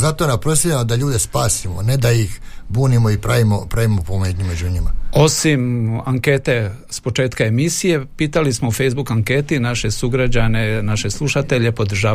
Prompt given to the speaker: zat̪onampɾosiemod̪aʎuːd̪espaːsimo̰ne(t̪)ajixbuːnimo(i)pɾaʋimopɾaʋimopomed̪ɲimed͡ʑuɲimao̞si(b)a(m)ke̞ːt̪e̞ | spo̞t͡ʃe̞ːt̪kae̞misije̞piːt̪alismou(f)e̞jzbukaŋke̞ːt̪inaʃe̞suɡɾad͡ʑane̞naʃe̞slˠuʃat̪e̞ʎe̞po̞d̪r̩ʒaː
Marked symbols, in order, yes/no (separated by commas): no, yes, no, no, yes